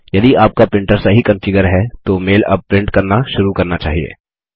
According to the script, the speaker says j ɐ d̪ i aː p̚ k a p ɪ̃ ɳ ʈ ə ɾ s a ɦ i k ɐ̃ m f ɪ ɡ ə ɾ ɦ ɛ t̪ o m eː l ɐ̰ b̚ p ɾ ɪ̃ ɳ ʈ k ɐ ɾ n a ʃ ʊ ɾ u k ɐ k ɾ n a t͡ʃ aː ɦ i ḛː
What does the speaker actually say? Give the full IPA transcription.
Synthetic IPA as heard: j ɐ d̪ i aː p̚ k a p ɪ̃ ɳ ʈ ə ɾ s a ɦ i k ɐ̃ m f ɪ ɡ ə ɾ ɦ ɛ t̪ o m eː l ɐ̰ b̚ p ɾ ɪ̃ ɳ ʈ k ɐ ɾ n a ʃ ʊ ɾ u k ɐ ɾ n a t͡ʃ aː ɦ i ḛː